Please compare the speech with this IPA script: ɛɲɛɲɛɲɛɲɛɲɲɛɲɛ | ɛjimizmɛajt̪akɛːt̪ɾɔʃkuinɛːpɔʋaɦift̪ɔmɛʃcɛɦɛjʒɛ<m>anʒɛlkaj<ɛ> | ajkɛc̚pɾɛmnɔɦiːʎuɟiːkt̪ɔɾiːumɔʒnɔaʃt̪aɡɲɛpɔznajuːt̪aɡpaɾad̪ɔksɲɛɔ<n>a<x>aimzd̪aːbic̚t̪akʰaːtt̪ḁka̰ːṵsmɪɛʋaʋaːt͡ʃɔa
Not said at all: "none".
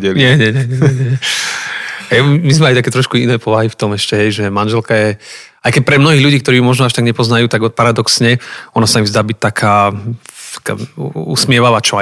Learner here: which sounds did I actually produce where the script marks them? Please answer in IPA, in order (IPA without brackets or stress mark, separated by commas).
m, ɛ, n, s